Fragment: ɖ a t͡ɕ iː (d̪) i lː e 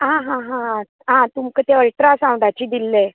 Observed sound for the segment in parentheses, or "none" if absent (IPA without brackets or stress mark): d̪